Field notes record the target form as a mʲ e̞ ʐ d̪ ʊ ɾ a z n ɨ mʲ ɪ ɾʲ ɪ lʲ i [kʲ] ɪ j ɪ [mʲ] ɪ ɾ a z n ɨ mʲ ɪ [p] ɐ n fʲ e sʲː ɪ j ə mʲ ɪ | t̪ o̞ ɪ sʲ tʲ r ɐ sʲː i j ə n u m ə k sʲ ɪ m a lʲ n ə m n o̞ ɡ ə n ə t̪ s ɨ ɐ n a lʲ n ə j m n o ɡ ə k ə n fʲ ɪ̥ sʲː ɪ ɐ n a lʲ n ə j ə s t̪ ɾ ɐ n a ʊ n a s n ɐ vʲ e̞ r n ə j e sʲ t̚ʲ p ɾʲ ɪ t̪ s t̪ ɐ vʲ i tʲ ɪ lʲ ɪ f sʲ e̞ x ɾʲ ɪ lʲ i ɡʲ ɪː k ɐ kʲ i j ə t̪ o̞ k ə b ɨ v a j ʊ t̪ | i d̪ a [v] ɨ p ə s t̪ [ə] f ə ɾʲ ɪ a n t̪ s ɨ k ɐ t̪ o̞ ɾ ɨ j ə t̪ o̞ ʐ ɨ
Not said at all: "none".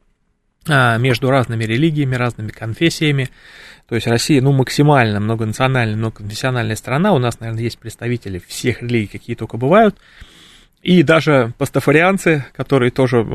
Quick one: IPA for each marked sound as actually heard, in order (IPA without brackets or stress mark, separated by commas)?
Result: ɡʲ, mʲ, k, ʐ, ə